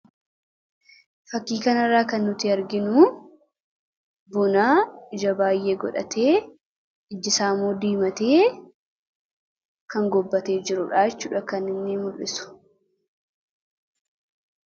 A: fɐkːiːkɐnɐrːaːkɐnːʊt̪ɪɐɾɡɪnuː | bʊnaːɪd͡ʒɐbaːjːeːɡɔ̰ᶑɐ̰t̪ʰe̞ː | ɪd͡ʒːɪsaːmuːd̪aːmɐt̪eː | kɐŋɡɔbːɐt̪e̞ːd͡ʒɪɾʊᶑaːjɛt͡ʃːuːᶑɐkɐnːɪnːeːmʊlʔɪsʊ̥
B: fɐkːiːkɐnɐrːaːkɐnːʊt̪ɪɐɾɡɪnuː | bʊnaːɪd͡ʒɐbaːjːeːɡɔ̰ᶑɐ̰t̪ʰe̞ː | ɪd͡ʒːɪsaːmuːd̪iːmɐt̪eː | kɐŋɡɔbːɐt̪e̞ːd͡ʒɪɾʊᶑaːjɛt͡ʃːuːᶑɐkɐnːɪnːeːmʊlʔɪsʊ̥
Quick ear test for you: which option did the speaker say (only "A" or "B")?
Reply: B